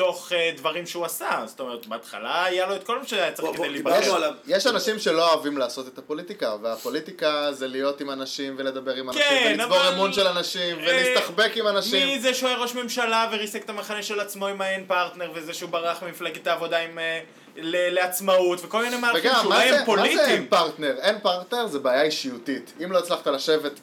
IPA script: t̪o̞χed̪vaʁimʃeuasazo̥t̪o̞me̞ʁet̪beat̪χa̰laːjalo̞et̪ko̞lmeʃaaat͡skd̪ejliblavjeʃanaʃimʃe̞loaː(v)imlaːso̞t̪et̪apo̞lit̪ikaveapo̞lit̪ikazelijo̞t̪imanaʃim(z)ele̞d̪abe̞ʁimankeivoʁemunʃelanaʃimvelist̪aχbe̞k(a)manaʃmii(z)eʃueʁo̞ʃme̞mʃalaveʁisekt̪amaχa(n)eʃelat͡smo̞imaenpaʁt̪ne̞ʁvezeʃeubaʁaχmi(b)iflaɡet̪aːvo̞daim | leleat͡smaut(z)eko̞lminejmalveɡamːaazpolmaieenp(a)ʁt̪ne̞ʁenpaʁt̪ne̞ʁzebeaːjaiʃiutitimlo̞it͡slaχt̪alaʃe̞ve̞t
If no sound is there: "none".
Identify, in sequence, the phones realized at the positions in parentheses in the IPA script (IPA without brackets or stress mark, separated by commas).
v, v, i, z, n, m, v, a